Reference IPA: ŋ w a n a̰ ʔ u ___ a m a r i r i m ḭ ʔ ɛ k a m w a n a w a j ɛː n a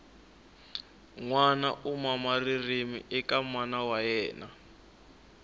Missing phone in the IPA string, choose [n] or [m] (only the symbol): m